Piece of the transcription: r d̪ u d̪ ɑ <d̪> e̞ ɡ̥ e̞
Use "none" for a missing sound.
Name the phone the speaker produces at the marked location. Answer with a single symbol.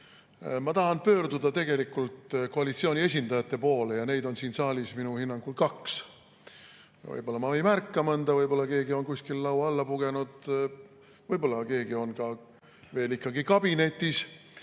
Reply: t̪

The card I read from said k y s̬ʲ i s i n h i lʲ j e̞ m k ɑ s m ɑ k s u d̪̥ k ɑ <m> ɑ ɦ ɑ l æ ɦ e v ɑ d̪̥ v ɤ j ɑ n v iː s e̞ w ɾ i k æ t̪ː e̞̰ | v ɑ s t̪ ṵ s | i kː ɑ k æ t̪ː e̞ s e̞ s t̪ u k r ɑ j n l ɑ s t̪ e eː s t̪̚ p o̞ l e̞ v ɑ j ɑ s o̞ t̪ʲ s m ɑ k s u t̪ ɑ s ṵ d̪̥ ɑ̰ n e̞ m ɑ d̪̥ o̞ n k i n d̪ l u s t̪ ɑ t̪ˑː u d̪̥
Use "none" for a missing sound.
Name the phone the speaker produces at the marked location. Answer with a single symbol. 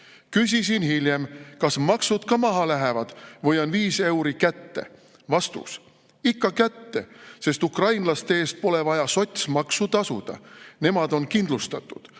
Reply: m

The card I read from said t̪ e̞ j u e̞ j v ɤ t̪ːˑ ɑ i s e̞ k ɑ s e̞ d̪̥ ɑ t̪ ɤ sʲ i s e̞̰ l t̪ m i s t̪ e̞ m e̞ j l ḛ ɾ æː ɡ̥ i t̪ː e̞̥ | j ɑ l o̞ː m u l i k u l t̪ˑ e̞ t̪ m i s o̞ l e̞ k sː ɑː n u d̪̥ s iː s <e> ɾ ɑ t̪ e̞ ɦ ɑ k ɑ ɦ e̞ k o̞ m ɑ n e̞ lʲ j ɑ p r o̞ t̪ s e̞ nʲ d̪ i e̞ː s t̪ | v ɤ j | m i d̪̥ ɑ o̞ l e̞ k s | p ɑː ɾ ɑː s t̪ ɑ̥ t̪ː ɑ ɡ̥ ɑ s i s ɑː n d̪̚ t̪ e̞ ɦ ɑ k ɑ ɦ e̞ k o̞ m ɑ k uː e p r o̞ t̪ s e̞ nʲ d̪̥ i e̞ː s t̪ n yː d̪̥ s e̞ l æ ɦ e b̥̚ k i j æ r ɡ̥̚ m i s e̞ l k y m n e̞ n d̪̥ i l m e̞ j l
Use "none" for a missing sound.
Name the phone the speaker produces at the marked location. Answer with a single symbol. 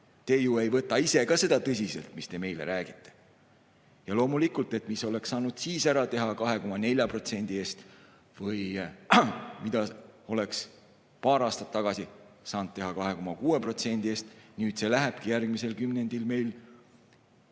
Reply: æ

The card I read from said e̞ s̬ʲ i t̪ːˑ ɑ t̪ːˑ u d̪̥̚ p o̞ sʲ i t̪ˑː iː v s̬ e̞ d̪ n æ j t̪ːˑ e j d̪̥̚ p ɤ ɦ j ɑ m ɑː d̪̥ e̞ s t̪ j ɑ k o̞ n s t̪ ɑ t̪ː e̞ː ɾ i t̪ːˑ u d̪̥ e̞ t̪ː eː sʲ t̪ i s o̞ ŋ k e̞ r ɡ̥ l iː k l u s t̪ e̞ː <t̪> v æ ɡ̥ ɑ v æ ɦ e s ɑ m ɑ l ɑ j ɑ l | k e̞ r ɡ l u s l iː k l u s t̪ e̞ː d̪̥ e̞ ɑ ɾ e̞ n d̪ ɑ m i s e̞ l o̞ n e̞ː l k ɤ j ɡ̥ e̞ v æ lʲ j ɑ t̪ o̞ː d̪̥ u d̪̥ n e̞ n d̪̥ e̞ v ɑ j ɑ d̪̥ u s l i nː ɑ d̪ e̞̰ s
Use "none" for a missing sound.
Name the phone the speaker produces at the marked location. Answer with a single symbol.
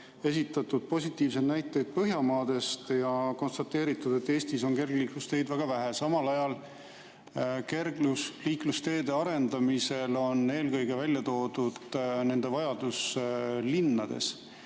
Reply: d̪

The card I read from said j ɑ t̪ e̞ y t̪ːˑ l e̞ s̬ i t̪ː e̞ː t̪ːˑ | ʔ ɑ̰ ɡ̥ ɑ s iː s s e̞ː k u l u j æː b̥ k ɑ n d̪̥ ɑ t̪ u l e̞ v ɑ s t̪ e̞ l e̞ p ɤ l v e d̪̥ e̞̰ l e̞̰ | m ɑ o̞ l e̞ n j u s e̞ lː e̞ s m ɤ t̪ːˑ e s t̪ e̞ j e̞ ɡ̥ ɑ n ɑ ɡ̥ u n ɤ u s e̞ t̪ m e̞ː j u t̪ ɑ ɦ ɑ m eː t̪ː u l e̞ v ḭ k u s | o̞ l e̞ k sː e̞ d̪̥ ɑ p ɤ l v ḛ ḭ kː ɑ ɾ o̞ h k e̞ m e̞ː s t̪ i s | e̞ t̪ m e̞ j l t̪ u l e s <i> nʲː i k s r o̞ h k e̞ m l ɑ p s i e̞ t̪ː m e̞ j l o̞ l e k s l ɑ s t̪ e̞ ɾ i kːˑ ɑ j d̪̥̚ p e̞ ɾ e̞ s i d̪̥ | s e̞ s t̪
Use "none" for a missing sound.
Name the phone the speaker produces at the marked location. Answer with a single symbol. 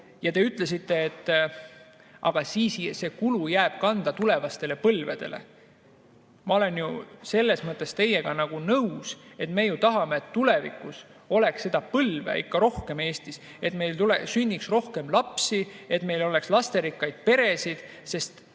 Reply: y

